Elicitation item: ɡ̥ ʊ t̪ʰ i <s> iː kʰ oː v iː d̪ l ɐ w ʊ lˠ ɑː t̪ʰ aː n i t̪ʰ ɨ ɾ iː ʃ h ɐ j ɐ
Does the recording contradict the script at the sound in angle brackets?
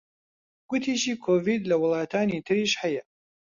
yes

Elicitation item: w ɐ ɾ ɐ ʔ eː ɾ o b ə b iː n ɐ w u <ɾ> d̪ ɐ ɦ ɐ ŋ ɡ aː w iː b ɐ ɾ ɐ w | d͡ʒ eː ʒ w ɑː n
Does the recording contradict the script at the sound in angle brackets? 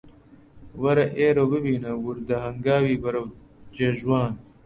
no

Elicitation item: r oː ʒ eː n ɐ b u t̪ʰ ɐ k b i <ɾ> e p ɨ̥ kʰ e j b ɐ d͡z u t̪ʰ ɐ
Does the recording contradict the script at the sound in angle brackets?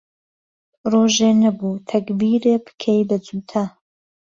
no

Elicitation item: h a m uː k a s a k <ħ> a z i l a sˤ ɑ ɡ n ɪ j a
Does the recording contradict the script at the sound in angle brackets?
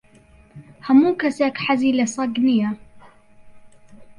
no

